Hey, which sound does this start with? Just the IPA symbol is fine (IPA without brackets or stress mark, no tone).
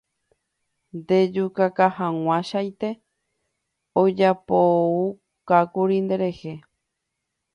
n